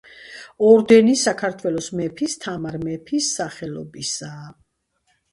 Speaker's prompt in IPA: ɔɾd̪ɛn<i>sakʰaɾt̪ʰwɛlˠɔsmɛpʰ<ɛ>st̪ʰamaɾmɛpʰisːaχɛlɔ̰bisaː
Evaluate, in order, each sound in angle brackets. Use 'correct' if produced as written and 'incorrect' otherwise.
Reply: correct, incorrect

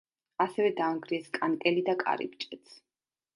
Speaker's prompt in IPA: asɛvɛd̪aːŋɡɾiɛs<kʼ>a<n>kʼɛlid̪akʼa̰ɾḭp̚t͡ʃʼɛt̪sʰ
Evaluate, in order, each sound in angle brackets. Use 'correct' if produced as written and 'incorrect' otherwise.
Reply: correct, correct

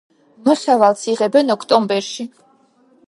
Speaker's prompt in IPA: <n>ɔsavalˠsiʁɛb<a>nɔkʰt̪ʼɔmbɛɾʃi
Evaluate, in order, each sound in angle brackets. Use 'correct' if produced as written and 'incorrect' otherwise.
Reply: incorrect, incorrect

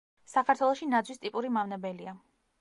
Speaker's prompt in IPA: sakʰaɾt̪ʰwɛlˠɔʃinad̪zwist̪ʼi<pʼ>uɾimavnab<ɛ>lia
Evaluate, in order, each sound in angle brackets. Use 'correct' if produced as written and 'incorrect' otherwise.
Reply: correct, correct

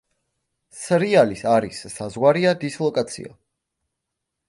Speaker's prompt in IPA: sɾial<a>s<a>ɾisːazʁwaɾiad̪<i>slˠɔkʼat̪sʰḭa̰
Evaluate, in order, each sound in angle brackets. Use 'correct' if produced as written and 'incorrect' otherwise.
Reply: incorrect, correct, correct

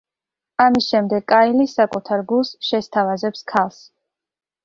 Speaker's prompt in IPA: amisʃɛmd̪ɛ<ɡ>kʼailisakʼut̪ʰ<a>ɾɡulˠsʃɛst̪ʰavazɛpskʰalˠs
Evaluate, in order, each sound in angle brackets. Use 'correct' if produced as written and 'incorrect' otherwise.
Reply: correct, correct

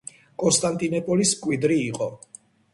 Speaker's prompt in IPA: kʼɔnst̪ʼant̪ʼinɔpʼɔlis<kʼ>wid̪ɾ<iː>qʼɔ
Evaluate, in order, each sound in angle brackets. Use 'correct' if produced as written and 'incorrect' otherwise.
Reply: correct, correct

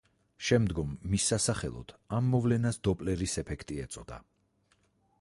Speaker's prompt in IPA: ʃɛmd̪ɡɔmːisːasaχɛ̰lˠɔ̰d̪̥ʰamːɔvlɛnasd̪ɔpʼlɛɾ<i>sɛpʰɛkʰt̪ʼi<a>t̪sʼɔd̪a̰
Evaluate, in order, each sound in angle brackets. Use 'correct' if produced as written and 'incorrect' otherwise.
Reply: correct, incorrect

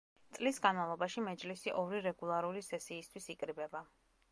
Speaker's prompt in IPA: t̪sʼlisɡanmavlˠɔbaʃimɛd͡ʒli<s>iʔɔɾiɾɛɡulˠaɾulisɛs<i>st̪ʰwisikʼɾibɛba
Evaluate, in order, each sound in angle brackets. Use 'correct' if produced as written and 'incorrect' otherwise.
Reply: correct, incorrect

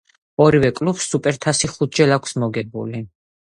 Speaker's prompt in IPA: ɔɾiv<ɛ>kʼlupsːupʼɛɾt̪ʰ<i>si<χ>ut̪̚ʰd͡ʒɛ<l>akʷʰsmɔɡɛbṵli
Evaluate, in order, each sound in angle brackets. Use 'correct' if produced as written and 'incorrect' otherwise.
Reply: correct, incorrect, correct, correct

